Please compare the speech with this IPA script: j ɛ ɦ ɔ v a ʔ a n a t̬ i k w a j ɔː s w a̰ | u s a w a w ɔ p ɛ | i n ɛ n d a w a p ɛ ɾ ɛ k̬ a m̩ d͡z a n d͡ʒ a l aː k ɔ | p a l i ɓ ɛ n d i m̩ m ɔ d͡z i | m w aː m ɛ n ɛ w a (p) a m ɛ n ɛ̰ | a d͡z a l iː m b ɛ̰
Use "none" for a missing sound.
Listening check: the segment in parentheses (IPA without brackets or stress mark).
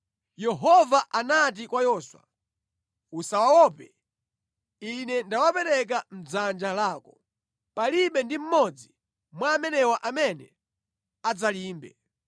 ʔ